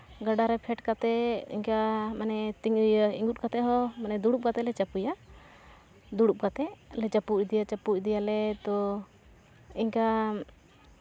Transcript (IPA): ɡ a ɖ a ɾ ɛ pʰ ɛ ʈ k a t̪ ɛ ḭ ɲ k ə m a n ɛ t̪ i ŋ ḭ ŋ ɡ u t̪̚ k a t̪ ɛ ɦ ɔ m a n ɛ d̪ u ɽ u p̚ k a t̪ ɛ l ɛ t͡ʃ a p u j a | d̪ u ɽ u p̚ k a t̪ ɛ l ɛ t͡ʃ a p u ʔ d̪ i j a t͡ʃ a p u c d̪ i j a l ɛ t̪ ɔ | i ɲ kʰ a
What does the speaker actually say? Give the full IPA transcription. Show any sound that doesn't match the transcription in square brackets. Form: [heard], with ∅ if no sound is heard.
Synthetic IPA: ɡ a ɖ a ɾ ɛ pʰ ɛ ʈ k a t̪ ɛ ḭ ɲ k [a] m a n ɛ t̪ i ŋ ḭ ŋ ɡ u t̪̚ k a t̪ ɛ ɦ ɔ m a n ɛ d̪ u ɽ u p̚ k a t̪ ɛ l ɛ t͡ʃ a p u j a | d̪ u ɽ u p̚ k a t̪ ɛ l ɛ t͡ʃ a p u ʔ d̪ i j a t͡ʃ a p u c d̪ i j a l ɛ t̪ ɔ | i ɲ [k] a